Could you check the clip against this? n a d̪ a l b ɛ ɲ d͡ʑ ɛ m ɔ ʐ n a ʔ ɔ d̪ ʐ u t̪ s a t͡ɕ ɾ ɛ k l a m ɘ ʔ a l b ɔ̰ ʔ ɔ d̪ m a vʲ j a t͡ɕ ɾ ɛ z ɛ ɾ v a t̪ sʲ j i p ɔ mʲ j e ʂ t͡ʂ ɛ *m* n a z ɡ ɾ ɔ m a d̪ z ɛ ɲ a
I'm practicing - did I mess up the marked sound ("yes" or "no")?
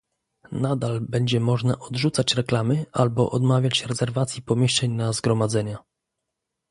yes